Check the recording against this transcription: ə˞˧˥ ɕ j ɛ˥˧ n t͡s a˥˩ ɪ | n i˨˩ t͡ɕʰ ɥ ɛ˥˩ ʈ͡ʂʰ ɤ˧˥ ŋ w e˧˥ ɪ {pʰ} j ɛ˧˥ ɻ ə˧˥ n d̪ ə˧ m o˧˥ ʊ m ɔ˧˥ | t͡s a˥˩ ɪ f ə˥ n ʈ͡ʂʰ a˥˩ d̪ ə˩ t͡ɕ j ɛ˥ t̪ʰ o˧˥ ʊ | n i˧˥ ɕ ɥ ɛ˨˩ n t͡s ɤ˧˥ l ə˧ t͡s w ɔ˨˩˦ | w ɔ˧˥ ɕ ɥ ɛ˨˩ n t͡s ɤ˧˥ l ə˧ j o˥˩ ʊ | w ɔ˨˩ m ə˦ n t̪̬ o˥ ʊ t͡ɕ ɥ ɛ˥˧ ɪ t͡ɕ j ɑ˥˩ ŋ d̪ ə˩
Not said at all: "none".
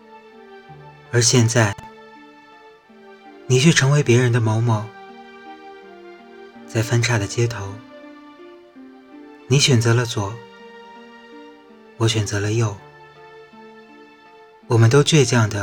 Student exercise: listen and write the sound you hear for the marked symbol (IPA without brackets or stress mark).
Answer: p